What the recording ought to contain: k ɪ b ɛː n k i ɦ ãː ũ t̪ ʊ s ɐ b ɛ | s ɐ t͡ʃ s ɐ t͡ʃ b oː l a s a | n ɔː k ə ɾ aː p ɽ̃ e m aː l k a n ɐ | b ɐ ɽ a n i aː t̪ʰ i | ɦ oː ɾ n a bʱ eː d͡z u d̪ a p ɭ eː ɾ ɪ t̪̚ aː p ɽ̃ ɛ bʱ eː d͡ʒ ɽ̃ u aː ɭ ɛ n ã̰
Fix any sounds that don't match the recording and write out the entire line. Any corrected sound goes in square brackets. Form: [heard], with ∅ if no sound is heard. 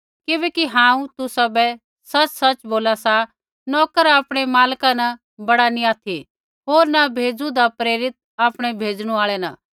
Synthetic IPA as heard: k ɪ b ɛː [∅] k i ɦ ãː ũ t̪ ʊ s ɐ b ɛ | s ɐ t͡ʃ s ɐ t͡ʃ b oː l a s a | n ɔː k ə ɾ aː p ɽ̃ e m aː l k a n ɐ | b ɐ ɽ a n i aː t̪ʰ i | ɦ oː ɾ n a bʱ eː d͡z u d̪ a p [ɾ] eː ɾ ɪ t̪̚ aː p ɽ̃ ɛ bʱ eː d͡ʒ ɽ̃ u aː ɭ ɛ n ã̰